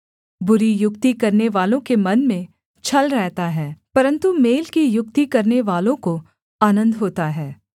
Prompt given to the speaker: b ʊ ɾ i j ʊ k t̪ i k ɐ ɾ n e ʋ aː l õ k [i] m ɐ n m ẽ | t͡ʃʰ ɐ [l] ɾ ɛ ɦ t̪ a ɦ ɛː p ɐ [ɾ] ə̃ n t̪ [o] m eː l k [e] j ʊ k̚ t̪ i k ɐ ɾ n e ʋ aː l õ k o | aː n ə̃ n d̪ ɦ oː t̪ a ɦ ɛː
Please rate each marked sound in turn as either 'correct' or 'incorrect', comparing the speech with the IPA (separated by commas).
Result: incorrect, correct, correct, incorrect, incorrect